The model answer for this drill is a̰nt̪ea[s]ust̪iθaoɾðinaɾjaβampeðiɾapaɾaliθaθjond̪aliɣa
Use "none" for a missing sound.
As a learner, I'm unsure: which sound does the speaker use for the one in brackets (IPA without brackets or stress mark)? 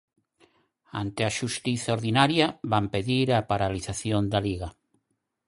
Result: ʃ